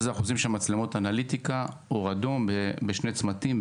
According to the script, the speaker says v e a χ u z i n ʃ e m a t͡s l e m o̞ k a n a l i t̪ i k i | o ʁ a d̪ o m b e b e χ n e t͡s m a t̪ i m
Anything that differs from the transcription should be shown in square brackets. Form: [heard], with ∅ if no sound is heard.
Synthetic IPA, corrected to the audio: [z] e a χ u z i [m] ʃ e m a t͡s l e m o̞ [t] a n a l i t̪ i k [a] | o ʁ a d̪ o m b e b e [ʃ] n e t͡s m a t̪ i m